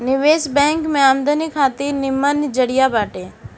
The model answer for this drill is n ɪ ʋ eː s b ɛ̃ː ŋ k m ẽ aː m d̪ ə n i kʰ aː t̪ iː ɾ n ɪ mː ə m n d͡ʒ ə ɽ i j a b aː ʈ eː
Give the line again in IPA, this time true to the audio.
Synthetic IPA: n ɪ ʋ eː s b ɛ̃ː ŋ k m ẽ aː m d̪ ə n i kʰ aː t̪ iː ɾ n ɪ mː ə n d͡ʒ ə ɽ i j a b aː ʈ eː